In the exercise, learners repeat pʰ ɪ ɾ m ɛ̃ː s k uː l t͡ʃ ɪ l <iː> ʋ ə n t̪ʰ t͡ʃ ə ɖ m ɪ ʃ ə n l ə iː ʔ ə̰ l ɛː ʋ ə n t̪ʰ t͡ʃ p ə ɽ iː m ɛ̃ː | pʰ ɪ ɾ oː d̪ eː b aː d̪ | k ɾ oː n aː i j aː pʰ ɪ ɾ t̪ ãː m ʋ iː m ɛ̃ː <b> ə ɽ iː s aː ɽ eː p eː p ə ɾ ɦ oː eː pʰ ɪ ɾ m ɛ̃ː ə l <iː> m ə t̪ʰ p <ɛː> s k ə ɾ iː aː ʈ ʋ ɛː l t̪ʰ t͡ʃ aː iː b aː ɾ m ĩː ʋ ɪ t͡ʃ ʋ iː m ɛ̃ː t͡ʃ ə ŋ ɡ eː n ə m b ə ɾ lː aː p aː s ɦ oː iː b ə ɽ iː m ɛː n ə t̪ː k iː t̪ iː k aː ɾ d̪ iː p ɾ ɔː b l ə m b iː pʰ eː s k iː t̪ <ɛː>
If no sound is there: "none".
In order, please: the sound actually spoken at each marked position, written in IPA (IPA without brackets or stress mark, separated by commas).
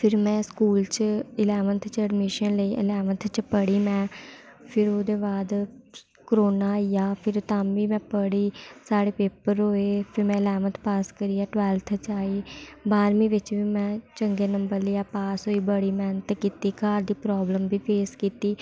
ɛː, p, ɛː, aː, iː